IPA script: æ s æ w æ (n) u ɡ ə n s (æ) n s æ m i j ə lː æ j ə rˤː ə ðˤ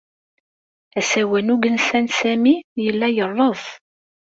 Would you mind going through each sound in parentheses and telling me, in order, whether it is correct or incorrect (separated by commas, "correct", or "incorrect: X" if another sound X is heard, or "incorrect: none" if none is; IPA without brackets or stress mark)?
correct, correct